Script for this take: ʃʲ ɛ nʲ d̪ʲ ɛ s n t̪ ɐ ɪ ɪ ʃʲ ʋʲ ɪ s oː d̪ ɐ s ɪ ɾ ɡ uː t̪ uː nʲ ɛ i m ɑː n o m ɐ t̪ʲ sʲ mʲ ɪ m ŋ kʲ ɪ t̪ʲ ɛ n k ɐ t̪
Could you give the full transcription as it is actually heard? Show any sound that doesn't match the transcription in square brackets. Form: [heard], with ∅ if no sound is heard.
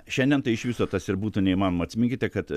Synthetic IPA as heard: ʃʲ ɛ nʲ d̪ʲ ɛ [∅] n t̪ ɐ ɪ ɪ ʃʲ ʋʲ ɪ s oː [t̪] ɐ s ɪ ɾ [b] uː t̪ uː nʲ ɛ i m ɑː n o m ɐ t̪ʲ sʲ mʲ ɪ [∅] ŋ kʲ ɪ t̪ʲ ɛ [∅] k ɐ t̪